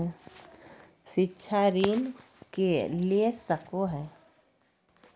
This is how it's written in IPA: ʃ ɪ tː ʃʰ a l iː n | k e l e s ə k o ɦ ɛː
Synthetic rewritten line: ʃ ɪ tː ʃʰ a ɾ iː n | k e l e s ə k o ɦ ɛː